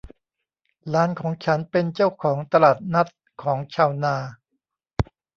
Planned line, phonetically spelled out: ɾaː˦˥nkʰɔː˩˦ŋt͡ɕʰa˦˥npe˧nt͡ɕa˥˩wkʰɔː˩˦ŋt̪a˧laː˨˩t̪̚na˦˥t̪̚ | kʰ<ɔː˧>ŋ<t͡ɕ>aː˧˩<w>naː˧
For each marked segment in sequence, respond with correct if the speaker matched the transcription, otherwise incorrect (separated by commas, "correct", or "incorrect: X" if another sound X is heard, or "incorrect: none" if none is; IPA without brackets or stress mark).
incorrect: ɔː˩˦, incorrect: t͡ɕʰ, correct